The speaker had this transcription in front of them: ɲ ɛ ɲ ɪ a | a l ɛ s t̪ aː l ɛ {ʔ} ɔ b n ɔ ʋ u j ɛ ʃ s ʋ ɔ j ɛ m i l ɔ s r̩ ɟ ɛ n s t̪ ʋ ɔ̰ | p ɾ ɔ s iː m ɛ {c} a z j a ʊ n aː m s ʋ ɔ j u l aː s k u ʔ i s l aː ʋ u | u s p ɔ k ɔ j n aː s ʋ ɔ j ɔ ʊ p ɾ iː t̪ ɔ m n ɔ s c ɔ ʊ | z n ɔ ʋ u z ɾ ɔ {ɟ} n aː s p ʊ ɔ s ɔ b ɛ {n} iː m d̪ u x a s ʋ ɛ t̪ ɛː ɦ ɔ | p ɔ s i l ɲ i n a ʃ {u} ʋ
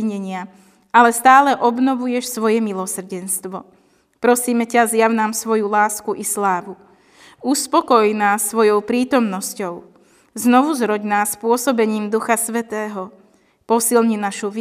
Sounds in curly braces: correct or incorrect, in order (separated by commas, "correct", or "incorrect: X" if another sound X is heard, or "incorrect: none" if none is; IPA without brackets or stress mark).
correct, correct, correct, incorrect: ɲ, correct